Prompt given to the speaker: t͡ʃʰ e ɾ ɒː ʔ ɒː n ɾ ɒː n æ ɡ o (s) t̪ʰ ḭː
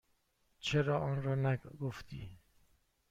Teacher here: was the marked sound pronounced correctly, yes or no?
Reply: no